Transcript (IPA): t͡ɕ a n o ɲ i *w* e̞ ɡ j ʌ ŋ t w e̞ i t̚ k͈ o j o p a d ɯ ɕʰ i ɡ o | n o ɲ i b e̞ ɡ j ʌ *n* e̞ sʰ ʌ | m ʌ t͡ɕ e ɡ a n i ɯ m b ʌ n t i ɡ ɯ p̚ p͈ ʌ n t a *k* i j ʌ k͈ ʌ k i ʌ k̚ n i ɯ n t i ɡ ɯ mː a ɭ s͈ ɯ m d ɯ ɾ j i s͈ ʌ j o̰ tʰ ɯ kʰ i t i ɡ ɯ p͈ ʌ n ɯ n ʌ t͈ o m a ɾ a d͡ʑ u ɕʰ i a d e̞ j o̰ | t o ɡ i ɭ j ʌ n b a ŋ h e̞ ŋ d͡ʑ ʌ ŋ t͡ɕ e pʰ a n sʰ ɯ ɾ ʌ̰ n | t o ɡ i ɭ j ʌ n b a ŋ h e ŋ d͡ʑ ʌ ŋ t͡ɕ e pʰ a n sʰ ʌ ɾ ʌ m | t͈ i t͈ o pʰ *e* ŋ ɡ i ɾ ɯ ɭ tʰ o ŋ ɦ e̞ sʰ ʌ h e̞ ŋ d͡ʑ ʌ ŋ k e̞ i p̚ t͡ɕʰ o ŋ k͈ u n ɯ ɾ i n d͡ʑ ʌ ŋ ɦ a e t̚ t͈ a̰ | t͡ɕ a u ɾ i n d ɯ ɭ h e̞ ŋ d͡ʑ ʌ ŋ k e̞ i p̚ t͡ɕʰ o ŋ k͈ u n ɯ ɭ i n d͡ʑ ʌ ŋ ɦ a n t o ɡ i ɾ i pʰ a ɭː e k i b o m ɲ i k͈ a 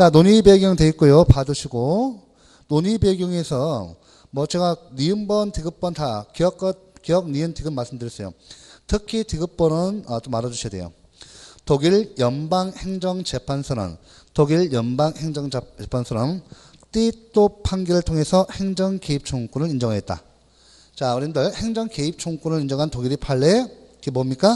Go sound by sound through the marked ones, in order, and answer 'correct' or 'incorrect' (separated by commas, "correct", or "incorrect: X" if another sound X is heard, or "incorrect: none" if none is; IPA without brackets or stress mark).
incorrect: b, incorrect: ŋ, correct, incorrect: a